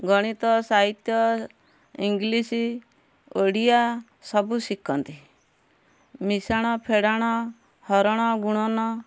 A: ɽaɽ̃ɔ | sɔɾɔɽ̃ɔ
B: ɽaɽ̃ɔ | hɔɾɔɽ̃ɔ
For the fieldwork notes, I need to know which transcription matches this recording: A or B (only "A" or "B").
B